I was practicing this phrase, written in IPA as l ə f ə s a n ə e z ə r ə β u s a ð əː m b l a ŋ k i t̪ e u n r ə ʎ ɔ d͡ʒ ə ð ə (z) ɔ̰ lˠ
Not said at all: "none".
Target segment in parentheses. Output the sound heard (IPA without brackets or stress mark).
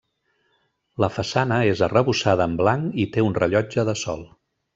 s